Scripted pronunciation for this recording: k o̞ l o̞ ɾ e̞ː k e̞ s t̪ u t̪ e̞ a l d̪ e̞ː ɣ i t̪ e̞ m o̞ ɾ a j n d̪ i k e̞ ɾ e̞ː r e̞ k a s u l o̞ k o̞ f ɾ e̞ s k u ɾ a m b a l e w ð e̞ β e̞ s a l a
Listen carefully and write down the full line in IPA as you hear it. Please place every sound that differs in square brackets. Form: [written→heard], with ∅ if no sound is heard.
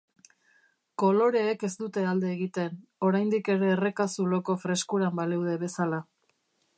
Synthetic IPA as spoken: k o̞ l o̞ ɾ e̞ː k e̞ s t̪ u t̪ e̞ a l d̪ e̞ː ɣ i t̪ e̞ [m→n] o̞ ɾ a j n d̪ i k e̞ ɾ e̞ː r e̞ k a s u l o̞ k o̞ f ɾ e̞ s k u ɾ a m b a l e w ð e̞ β e̞ s a l a